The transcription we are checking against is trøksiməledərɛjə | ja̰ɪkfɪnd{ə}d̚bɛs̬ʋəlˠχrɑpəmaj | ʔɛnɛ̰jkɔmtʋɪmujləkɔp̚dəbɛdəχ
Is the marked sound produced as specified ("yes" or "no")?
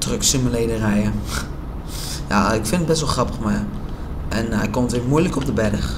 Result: yes